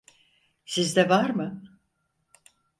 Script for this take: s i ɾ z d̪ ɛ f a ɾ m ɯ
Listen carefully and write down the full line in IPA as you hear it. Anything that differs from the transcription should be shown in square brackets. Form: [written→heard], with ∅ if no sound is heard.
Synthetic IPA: s i [ɾ→∅] z d̪ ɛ [f→v] a ɾ m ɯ